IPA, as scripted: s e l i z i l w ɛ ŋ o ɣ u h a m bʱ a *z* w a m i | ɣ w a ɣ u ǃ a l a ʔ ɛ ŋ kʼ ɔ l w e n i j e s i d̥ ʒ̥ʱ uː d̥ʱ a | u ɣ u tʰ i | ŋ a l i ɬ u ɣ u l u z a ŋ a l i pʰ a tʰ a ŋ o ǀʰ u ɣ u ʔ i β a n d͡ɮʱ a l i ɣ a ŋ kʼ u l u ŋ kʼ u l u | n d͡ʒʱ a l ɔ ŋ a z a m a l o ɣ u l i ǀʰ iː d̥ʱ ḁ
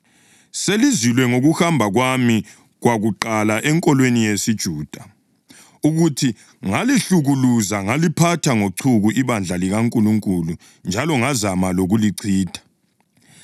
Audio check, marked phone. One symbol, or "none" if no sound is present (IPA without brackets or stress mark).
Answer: ɣ